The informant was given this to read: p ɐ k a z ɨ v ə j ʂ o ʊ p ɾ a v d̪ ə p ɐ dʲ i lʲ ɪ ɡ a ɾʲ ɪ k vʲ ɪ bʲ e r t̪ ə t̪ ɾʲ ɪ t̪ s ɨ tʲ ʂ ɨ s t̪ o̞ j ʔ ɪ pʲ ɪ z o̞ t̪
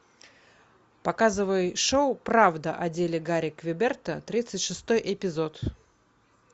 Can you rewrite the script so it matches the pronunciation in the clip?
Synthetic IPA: p ɐ k a z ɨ v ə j ʂ o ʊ p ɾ a v d̪ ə ʔ ɐ dʲ e lʲ ɪ ɡ a ɾʲ ɪ k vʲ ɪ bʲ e r t̪ ə t̪ ɾʲ i t̪ s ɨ tʲ ʂ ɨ s t̪ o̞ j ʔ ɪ pʲ ɪ z o̞ t̪